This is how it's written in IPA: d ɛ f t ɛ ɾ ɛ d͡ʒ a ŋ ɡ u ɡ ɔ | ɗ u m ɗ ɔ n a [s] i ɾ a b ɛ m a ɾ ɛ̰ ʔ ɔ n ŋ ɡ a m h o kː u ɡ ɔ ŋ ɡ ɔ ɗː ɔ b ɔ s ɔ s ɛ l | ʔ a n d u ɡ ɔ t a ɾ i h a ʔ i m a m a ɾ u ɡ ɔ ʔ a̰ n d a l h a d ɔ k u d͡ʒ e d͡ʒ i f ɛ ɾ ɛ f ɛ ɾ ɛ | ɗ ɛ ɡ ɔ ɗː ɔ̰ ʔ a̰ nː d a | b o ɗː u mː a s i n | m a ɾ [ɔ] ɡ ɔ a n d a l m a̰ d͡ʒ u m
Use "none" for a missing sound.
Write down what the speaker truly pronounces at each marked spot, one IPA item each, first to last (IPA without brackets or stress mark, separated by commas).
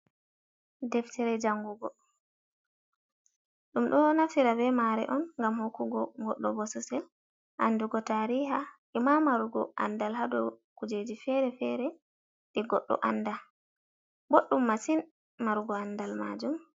f, u